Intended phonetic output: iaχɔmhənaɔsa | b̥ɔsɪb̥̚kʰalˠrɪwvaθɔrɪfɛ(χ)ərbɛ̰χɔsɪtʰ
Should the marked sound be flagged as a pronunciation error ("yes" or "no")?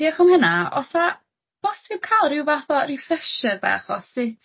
yes